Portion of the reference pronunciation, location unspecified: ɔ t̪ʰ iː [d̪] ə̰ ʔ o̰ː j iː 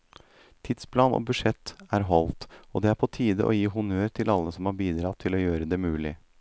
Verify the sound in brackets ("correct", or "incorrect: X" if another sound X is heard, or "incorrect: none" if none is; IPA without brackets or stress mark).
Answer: correct